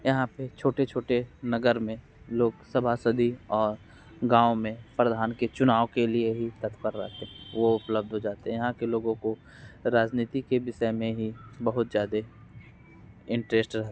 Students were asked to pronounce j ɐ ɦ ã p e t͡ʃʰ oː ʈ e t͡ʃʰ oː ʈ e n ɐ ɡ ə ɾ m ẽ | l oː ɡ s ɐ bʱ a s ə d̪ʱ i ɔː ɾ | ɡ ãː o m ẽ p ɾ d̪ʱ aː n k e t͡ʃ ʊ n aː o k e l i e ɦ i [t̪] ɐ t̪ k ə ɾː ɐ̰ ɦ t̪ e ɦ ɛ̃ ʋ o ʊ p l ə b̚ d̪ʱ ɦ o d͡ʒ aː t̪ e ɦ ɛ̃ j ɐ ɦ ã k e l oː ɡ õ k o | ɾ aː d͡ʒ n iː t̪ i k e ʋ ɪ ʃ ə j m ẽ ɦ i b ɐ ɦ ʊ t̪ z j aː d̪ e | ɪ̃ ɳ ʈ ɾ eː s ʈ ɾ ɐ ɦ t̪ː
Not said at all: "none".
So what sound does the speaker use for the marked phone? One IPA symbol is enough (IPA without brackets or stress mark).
t̪